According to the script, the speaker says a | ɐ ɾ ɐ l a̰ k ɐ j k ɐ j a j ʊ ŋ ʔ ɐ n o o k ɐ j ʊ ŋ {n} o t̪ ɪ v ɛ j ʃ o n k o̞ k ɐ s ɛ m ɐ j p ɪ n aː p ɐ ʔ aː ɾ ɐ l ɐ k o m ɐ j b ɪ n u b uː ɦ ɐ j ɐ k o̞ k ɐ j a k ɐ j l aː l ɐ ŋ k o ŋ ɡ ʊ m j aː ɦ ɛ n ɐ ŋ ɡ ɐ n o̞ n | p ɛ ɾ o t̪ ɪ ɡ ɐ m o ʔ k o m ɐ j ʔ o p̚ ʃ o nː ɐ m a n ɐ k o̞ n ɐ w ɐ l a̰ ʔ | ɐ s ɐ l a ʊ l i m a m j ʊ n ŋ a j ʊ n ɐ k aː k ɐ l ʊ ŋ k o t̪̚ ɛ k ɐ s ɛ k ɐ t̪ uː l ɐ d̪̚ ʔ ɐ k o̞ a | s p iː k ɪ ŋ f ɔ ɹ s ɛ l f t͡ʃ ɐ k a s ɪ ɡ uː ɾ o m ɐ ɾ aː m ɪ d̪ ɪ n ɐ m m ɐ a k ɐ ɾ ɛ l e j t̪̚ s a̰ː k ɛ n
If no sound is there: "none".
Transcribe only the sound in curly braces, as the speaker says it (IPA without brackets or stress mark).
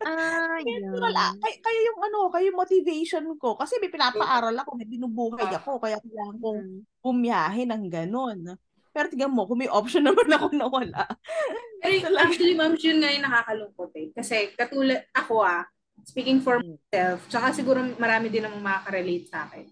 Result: m